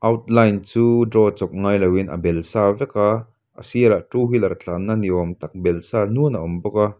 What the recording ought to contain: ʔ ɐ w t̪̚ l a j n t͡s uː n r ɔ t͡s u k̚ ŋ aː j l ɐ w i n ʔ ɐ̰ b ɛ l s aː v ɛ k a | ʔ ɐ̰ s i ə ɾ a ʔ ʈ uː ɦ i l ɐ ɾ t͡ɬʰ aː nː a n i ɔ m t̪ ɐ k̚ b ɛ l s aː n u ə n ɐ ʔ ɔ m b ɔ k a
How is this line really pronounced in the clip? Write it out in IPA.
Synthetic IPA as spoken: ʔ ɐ w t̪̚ l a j n t͡s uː d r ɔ t͡s ɔ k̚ ŋ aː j l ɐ w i n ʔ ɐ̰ b ɛ l s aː v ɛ k a | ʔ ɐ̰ s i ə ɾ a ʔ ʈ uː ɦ i l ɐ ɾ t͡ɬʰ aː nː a n i ɔ m t̪ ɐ k̚ b ɛ l s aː n u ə n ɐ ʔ ɔ m b ɔ k a